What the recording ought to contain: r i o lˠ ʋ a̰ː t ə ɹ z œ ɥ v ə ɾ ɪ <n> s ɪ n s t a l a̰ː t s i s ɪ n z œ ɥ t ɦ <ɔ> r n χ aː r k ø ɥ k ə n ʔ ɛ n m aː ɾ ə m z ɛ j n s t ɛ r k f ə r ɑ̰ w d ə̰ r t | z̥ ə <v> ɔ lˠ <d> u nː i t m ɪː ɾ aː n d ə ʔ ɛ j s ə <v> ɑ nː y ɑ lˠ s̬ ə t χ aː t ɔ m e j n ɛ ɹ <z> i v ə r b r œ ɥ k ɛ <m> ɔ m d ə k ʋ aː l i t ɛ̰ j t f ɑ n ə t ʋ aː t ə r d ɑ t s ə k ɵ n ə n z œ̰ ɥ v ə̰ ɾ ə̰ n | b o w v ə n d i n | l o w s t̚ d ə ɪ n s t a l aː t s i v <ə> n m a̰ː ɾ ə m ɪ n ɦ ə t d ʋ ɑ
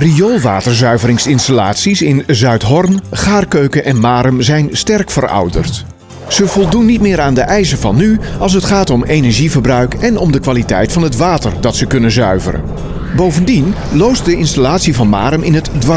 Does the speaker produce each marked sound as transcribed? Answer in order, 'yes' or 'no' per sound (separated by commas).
no, yes, yes, yes, yes, no, no, no